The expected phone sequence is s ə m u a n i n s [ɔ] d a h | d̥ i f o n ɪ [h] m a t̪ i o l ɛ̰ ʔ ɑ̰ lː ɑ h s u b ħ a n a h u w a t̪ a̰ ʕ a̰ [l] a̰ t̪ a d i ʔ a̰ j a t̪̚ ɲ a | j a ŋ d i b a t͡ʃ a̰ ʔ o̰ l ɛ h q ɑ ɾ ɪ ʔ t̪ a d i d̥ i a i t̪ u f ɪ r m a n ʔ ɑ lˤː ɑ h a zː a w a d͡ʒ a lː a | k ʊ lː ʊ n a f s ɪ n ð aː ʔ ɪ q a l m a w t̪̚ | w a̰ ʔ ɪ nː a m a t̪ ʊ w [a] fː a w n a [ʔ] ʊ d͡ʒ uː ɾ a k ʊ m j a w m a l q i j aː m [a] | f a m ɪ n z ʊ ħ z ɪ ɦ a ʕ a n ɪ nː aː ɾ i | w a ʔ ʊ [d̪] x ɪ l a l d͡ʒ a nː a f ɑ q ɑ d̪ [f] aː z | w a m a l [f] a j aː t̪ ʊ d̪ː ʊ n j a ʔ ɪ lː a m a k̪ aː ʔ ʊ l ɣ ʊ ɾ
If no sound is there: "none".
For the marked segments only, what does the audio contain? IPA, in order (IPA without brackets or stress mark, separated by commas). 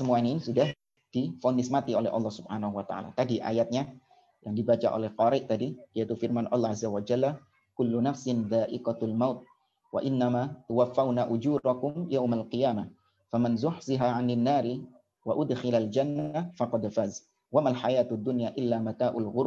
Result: u, s, l, a, ʔ, a, d̪, f, ħ